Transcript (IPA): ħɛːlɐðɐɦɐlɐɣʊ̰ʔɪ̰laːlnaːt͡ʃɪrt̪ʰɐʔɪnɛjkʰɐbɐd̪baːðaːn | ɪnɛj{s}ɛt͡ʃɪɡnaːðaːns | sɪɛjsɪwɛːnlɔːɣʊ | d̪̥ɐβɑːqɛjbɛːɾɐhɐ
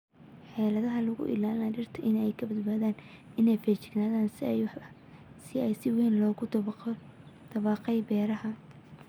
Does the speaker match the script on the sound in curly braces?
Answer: no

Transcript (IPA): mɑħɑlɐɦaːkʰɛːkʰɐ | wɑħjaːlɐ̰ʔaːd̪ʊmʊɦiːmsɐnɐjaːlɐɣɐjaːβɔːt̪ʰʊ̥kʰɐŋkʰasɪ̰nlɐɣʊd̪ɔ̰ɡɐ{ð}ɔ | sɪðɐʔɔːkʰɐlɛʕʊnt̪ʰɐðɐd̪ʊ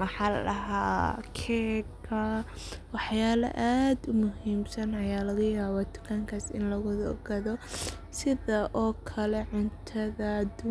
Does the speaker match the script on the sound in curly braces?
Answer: yes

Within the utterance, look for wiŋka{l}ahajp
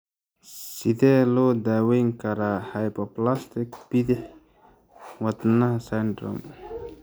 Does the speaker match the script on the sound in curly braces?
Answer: no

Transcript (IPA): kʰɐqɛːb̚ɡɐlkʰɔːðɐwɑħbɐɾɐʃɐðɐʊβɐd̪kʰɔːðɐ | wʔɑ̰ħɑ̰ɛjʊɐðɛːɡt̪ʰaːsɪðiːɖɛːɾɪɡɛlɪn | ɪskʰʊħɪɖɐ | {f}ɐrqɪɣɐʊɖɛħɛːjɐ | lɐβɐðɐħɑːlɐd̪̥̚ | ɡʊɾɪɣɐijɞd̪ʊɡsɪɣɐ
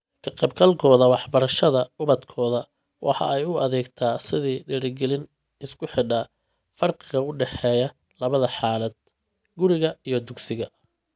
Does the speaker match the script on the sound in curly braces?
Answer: yes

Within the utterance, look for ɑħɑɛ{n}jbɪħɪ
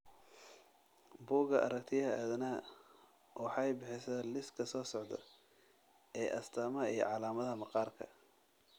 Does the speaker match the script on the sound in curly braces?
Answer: no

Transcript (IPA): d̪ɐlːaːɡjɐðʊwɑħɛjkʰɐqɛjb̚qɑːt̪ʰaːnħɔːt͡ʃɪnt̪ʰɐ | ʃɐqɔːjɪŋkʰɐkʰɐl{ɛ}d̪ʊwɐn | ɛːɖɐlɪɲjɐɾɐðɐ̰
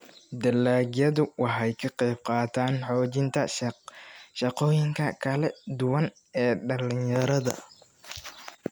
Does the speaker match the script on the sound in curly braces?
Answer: yes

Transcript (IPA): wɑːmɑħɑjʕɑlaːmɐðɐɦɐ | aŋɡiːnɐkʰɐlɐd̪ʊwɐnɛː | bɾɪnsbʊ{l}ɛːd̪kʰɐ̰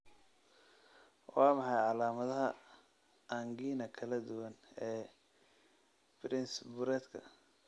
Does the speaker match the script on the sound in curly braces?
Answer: no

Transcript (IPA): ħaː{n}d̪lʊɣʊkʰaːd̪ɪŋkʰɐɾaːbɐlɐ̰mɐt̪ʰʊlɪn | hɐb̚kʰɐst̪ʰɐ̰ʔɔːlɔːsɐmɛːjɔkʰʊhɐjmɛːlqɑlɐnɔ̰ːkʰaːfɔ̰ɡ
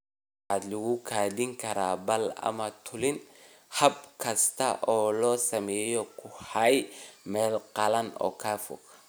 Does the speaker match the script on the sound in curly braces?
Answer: no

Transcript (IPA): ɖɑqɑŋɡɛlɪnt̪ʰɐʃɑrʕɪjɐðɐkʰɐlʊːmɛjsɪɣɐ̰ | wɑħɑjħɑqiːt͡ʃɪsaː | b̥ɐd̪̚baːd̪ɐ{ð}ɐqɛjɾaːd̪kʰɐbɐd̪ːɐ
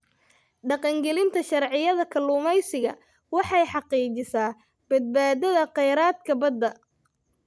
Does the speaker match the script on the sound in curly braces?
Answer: yes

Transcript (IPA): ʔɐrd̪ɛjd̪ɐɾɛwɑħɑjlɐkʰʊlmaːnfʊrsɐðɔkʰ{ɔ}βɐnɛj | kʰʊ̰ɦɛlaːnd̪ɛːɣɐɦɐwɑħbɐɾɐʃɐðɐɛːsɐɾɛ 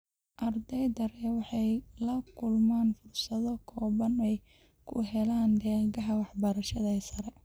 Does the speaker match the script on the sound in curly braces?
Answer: no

